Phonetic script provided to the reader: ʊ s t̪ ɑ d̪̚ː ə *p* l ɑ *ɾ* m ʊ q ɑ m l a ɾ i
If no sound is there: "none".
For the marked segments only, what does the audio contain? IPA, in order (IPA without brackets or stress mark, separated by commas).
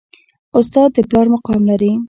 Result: p, ɾ